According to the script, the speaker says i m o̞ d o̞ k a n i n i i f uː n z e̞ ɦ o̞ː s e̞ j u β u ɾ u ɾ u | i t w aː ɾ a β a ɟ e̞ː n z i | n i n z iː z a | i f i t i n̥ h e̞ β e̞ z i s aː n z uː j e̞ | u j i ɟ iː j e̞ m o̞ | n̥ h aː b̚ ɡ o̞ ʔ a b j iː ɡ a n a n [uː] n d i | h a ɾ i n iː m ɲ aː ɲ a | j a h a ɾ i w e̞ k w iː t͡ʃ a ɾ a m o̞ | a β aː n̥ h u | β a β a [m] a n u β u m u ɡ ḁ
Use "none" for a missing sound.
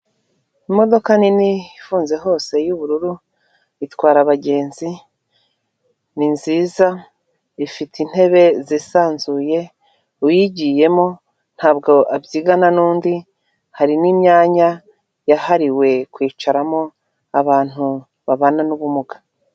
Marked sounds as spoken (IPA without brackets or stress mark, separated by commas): uː, n